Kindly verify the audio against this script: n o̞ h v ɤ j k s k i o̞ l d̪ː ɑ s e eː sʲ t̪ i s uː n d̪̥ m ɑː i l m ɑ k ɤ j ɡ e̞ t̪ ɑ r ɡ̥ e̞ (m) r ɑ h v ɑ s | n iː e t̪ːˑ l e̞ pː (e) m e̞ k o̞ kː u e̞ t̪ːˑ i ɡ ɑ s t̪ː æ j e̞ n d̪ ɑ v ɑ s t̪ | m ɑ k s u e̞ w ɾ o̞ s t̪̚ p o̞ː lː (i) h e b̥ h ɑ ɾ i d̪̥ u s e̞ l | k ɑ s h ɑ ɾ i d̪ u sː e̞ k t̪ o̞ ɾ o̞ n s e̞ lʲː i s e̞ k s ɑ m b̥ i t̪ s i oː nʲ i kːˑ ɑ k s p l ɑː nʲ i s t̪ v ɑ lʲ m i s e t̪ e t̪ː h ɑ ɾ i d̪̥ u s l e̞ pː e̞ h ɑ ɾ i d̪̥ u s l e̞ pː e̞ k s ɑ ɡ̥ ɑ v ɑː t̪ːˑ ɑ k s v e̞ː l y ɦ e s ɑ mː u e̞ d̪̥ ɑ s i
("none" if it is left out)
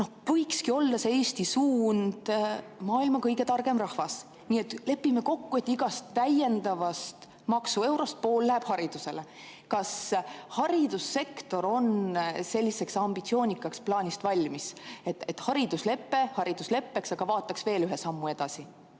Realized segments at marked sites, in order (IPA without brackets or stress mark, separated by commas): m, i, æ